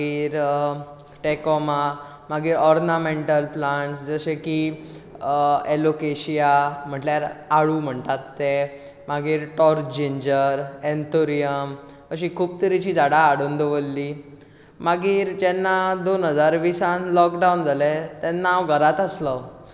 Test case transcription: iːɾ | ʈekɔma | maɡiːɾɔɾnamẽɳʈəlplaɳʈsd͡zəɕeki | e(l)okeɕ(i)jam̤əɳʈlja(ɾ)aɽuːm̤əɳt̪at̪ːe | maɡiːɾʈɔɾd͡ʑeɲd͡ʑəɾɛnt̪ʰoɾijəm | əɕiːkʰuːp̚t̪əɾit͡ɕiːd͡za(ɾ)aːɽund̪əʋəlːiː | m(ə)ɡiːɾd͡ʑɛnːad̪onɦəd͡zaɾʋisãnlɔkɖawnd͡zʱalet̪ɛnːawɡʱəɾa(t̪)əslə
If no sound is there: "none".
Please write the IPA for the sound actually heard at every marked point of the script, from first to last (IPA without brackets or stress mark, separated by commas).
l, i, ɾ, ɽ, a, t̪